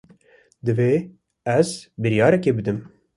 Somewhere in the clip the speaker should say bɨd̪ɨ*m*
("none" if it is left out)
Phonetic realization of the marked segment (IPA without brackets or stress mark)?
m